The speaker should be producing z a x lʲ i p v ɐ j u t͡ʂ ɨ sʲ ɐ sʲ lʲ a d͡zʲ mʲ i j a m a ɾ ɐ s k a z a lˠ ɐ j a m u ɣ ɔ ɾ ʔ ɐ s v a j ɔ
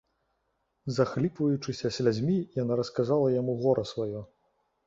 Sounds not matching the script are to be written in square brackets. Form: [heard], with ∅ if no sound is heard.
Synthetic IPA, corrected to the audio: z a x lʲ i p v ɐ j u t͡ʂ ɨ sʲ ɐ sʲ lʲ a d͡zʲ mʲ i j a [n] a ɾ ɐ s k a z a lˠ ɐ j a m u ɣ ɔ ɾ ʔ ɐ s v a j ɔ